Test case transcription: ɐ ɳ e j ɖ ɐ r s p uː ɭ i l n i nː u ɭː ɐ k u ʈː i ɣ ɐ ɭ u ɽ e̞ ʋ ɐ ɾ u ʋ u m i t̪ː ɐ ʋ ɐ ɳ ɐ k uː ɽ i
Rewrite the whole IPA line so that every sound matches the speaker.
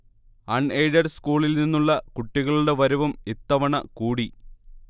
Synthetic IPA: ɐ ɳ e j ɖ ɐ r s k uː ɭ i l n i nː u ɭː ɐ k u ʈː i ɣ ɐ ɭ u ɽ e̞ ʋ ɐ ɾ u ʋ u m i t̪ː ɐ ʋ ɐ ɳ ɐ k uː ɽ i